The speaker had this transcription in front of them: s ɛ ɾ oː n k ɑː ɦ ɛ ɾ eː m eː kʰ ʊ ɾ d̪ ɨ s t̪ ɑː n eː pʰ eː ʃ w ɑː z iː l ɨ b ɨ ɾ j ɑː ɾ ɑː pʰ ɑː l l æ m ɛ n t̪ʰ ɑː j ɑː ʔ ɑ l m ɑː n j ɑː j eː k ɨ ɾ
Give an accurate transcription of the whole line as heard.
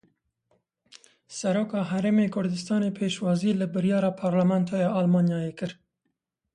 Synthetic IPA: s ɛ ɾ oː k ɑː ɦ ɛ ɾ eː m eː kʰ ʊ ɾ d̪ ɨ s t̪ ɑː n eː pʰ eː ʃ w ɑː z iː l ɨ b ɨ ɾ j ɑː ɾ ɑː pʰ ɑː ɾ l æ m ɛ n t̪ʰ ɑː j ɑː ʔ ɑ l m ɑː n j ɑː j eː k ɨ ɾ